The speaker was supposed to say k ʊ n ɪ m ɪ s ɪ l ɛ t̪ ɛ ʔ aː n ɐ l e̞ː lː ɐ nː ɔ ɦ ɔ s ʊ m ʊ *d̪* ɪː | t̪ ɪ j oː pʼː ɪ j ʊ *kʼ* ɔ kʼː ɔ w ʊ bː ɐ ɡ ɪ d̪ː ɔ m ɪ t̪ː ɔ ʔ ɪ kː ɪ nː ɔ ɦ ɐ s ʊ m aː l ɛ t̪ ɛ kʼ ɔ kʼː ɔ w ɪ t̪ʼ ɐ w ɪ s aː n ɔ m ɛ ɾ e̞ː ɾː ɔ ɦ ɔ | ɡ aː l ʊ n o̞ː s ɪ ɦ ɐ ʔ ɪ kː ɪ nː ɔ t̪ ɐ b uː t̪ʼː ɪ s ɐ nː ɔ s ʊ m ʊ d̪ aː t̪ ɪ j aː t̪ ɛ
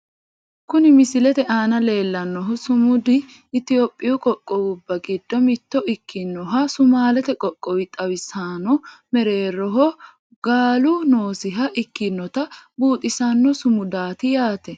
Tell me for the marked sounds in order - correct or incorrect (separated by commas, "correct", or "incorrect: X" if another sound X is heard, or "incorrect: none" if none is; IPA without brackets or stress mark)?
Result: correct, correct